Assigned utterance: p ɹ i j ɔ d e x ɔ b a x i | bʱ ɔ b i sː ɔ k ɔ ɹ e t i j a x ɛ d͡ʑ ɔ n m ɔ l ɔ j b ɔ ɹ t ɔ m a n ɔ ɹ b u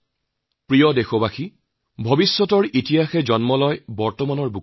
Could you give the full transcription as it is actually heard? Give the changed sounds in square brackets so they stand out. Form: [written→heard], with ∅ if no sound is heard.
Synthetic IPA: p ɹ i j ɔ d e x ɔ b a x i | bʱ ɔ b i sː ɔ [k→t] ɔ ɹ [e→i] t i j a x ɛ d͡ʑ ɔ n m ɔ l ɔ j b ɔ ɹ t ɔ m a n ɔ ɹ b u